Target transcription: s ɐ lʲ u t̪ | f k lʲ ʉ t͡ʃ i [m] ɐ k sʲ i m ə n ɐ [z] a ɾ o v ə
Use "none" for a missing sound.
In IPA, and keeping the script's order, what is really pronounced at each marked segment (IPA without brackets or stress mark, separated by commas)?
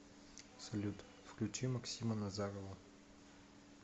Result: m, z